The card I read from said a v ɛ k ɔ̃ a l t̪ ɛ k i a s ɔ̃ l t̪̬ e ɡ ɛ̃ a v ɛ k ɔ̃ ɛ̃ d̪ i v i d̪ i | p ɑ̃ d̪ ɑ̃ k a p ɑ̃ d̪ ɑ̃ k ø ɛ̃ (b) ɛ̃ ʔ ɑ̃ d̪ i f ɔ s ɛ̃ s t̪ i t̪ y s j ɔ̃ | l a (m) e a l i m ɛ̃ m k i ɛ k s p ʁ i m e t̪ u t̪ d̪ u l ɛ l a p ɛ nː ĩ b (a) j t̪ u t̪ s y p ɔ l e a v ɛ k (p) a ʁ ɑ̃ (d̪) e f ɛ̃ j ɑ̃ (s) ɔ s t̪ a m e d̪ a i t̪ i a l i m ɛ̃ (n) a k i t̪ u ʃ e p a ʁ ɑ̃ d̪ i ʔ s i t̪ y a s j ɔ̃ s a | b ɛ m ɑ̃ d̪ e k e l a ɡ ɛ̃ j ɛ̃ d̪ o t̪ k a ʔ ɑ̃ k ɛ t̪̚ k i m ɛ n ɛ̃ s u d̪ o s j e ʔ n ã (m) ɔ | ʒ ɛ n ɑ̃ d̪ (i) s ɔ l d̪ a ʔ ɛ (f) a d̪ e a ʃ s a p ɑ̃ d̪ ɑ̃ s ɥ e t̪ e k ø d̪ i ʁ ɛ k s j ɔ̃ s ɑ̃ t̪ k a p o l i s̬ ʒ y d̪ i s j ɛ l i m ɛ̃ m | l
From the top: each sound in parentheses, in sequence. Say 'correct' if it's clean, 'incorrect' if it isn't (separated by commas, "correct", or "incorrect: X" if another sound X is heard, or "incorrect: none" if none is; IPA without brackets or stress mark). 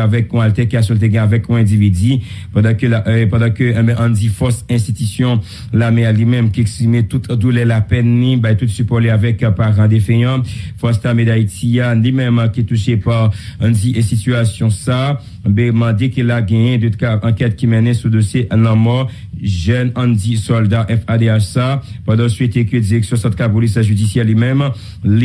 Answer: correct, correct, correct, correct, correct, incorrect: f, incorrect: m, correct, correct, correct